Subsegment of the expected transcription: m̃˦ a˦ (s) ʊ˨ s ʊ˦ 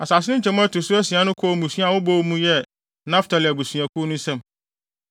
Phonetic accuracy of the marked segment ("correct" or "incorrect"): incorrect